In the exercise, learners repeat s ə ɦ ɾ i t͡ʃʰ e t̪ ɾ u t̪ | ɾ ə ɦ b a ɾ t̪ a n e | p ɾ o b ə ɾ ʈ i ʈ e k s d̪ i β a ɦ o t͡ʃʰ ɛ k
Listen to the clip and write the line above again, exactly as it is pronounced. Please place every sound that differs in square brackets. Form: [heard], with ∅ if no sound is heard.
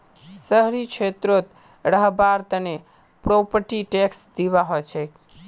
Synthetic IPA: s ə ɦ ɾ i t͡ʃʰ e t̪ ɾ [o] t̪ | ɾ ə ɦ b a ɾ t̪ [ə] n e | p ɾ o [p] ə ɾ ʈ i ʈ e k s d̪ i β a ɦ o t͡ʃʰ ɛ k